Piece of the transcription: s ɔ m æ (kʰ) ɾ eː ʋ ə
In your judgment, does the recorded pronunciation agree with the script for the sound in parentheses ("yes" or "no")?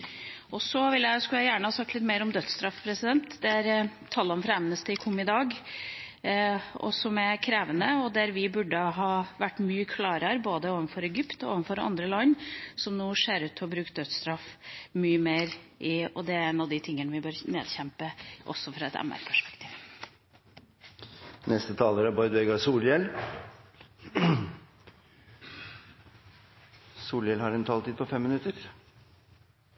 yes